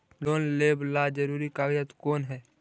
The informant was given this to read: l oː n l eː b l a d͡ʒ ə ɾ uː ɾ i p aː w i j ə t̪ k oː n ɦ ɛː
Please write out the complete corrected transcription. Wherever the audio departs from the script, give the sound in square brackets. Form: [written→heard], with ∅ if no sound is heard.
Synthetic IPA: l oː n l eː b l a d͡ʒ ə ɾ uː ɾ i [p→k] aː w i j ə t̪ k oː n ɦ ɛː